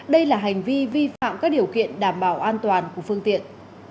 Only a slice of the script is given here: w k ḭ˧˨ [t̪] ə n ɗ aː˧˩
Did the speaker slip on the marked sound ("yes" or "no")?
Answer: yes